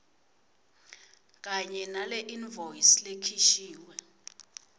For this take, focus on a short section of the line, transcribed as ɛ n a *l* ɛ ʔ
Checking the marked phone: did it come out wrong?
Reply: no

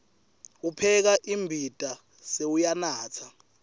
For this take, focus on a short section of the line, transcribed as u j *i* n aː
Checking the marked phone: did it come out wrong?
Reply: yes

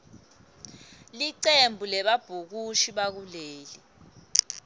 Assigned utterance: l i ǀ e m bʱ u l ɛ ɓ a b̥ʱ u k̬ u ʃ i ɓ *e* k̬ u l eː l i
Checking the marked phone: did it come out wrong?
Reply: yes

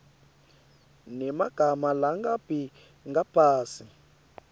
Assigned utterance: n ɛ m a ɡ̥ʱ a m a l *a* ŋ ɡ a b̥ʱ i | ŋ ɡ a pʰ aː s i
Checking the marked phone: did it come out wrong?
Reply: no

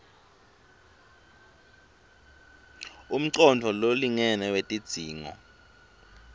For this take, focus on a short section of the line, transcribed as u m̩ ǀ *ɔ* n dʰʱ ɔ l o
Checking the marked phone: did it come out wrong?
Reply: no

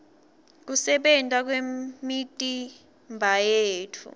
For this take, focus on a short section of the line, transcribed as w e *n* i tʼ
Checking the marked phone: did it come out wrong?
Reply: yes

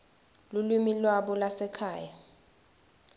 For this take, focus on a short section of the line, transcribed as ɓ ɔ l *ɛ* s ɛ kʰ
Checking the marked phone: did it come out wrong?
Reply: yes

